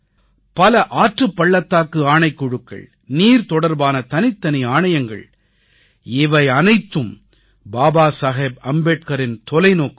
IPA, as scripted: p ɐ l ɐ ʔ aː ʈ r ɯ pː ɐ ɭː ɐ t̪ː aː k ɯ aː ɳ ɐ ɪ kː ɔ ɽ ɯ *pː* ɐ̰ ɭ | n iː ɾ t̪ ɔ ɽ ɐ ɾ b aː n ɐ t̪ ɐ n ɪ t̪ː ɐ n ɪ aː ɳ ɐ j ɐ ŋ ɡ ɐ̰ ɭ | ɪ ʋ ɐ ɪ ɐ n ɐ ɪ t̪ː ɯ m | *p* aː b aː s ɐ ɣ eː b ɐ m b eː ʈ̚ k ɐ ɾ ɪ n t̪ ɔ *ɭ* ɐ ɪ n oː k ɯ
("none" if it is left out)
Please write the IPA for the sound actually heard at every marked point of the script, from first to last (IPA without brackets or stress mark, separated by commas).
kː, b, l